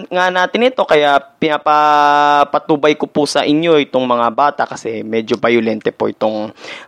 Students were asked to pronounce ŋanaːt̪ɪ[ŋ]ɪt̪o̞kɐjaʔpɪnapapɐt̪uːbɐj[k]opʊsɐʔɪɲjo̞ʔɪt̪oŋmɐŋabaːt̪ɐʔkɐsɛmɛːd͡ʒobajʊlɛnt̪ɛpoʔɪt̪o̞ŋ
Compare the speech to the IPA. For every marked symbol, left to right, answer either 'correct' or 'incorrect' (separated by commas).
incorrect, correct